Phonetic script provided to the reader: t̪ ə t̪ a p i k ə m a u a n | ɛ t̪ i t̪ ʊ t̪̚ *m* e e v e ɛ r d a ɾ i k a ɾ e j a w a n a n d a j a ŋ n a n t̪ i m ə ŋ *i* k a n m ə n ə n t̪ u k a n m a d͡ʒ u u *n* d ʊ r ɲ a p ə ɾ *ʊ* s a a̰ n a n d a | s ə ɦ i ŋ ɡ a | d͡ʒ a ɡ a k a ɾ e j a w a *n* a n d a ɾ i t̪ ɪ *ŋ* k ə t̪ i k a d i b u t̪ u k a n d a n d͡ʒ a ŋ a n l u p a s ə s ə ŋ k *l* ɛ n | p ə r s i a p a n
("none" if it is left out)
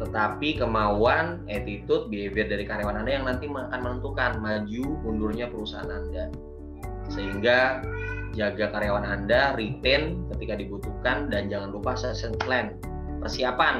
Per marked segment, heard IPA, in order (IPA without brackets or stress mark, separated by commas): b, a, n, u, n, n, l